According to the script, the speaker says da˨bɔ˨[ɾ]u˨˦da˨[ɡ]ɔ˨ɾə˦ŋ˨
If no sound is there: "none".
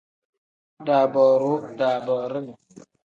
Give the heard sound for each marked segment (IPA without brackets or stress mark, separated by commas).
ɾ, b